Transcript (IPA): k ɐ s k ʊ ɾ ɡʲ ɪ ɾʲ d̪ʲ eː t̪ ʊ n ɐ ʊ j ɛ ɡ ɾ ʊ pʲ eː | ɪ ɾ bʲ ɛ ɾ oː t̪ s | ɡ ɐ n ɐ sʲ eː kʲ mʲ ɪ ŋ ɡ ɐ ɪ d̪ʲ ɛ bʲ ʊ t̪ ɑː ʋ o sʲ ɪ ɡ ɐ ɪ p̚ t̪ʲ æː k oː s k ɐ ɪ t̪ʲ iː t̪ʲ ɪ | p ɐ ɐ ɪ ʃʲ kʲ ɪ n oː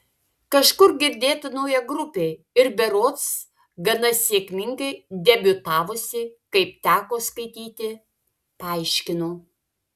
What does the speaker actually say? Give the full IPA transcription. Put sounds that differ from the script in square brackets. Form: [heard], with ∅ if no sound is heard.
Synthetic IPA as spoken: k ɐ [ʃ] k ʊ ɾ ɡʲ ɪ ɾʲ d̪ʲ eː t̪ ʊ n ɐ ʊ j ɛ ɡ ɾ ʊ pʲ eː | ɪ ɾ bʲ ɛ ɾ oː t̪ s | ɡ ɐ n ɐ sʲ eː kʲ mʲ ɪ ŋ ɡ ɐ ɪ d̪ʲ ɛ bʲ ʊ t̪ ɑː ʋ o sʲ ɪ [k] ɐ ɪ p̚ t̪ʲ æː k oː s k ɐ ɪ t̪ʲ iː t̪ʲ ɪ | p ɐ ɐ ɪ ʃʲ kʲ ɪ n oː